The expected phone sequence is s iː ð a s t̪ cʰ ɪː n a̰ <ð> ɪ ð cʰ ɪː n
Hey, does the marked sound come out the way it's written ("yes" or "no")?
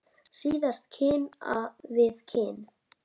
no